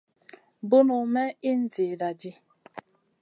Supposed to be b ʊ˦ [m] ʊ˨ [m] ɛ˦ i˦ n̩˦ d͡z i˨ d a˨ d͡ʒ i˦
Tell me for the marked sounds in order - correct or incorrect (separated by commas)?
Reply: incorrect, correct